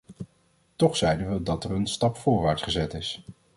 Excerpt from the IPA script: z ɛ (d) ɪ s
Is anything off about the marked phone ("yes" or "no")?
yes